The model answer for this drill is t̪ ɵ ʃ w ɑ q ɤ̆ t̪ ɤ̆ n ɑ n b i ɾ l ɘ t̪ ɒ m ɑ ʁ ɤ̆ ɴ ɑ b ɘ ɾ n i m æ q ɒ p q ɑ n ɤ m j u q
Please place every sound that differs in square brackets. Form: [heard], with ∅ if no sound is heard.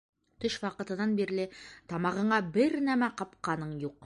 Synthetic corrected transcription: t̪ ɵ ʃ w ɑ q ɤ̆ t̪ ɤ̆ n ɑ n b i ɾ l ɘ t̪ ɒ m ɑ ʁ ɤ̆ ɴ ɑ b ɘ ɾ n [æ] m æ q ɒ p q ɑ n ɤ [ɴ] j u q